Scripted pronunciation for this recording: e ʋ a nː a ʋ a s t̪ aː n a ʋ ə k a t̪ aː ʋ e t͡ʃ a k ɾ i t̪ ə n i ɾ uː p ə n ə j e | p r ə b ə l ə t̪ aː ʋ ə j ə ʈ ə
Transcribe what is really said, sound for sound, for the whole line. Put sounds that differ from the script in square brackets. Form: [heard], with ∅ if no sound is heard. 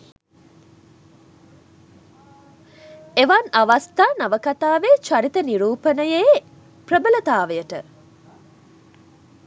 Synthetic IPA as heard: e ʋ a [n] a ʋ a s t̪ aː n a ʋ ə k a t̪ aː ʋ e t͡ʃ a [∅] ɾ i t̪ ə n i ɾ uː p ə n ə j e | p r ə b ə l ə t̪ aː ʋ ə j ə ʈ ə